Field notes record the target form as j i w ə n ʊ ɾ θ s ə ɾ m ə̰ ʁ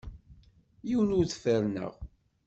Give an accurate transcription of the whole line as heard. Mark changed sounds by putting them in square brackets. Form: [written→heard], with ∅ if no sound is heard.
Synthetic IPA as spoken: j i w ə n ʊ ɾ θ [s→f] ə ɾ [m→n] ə̰ ʁ